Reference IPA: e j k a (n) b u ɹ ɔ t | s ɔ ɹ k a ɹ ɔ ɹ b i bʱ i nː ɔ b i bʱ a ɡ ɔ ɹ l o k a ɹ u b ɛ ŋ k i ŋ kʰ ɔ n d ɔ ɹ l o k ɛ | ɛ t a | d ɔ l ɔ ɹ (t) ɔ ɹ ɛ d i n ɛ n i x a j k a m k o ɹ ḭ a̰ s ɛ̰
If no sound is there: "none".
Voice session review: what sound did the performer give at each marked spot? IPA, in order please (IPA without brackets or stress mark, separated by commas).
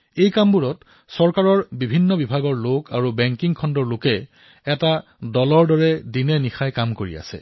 m, d